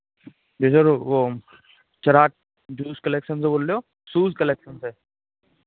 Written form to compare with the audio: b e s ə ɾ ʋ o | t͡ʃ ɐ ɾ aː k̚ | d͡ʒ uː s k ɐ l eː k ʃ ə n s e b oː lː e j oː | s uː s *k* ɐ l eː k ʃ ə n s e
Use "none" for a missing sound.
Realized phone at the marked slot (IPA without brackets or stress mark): k